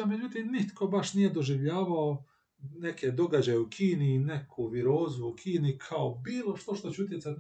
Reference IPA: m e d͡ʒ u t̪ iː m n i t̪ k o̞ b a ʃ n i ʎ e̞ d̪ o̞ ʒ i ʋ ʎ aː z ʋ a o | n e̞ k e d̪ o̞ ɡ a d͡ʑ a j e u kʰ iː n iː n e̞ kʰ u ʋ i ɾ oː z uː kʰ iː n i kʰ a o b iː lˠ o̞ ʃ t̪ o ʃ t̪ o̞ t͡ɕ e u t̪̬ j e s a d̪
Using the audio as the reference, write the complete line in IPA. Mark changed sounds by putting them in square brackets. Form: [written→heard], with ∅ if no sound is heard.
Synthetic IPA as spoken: m e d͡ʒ u t̪ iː m n i t̪ k o̞ b a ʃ n i [ʎ→j] e̞ d̪ o̞ ʒ i ʋ ʎ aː [z→∅] ʋ a o | n e̞ k e d̪ o̞ ɡ a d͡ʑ a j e u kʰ iː n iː n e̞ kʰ u ʋ i ɾ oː z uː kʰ iː n i kʰ a o b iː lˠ o̞ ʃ t̪ o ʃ t̪ o̞ t͡ɕ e u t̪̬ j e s a [d̪→t̪]